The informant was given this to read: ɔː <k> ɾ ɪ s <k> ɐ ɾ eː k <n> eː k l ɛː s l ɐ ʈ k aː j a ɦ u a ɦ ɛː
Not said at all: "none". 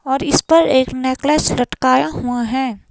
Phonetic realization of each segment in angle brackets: none, p, n

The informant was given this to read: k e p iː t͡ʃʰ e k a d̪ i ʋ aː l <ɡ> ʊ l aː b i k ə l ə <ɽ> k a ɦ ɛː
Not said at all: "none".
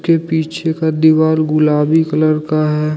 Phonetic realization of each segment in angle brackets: ɡ, ɾ

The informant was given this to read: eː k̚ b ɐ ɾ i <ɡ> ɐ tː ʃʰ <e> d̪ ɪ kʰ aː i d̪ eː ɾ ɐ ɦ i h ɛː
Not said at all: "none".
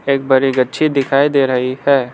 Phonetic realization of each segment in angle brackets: ɡ, i

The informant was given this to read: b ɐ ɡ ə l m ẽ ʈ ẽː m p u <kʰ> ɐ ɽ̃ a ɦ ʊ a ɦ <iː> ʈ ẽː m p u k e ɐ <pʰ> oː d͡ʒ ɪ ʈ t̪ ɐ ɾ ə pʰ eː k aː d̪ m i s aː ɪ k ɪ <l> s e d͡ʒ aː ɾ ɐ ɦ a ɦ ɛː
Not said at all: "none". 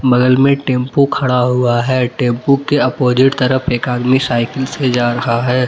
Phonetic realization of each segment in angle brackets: kʰ, ɛː, p, l

